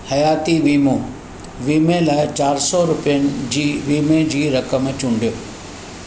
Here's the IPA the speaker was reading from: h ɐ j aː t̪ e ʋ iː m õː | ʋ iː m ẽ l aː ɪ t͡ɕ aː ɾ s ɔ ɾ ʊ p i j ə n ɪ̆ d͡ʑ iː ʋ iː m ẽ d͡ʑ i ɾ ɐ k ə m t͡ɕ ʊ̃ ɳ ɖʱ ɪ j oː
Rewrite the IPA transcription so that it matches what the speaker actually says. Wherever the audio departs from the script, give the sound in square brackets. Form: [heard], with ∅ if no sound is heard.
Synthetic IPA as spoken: h ɐ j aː t̪ [i] ʋ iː m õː | ʋ iː m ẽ l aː ɪ t͡ɕ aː ɾ s ɔ ɾ ʊ p i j ə n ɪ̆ d͡ʑ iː ʋ iː m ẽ d͡ʑ [iː] ɾ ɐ k ə m t͡ɕ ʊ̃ ɳ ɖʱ [i] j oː